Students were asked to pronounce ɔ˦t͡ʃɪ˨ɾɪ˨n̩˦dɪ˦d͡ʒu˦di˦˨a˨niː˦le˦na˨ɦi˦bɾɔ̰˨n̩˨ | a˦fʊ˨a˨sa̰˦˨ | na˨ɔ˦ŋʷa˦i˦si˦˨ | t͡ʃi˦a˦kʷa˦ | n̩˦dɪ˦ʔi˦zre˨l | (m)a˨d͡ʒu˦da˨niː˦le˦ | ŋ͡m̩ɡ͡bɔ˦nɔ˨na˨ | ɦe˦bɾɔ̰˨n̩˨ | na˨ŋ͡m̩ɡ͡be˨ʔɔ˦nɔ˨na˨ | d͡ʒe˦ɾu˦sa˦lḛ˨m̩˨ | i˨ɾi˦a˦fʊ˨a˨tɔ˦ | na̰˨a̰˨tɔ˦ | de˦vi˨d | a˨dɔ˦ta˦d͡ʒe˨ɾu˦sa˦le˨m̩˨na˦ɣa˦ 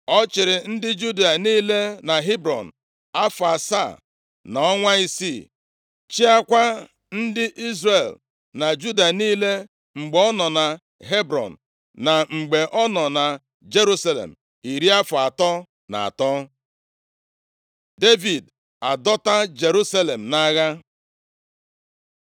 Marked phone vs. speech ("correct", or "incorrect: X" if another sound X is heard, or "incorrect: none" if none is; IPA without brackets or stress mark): incorrect: n